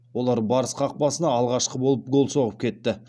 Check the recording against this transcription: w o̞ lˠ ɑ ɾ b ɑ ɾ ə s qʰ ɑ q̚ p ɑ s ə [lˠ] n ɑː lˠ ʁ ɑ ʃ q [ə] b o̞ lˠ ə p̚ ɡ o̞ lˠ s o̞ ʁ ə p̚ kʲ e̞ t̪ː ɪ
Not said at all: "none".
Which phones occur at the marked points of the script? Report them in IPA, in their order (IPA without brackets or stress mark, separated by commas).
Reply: none, ə